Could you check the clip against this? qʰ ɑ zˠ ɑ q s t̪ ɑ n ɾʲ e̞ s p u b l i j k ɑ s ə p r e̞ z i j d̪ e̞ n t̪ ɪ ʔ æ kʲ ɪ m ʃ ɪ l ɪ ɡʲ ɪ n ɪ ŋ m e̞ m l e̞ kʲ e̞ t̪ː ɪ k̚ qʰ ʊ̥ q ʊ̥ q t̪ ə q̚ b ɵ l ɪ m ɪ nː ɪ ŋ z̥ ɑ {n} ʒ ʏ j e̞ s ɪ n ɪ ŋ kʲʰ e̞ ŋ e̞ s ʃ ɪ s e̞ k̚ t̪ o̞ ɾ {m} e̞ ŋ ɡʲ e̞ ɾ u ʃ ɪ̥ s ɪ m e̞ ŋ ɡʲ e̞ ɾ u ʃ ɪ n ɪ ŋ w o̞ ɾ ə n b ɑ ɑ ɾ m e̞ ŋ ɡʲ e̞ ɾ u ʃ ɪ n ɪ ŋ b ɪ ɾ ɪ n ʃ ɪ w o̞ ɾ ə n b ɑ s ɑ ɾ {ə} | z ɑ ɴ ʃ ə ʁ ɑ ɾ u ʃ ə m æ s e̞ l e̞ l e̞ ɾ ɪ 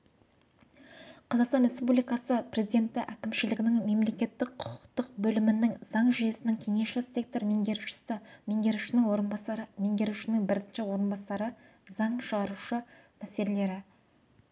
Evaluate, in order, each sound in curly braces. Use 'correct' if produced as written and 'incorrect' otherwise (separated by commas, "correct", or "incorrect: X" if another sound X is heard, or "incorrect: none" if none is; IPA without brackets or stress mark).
incorrect: ɴ, correct, correct